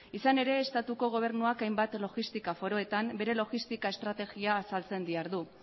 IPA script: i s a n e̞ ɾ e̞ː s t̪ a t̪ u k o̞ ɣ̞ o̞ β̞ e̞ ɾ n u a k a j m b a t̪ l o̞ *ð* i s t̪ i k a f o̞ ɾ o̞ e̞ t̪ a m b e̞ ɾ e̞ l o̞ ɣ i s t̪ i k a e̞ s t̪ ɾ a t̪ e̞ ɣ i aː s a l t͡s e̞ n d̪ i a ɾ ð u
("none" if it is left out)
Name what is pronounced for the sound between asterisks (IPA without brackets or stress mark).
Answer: ɣ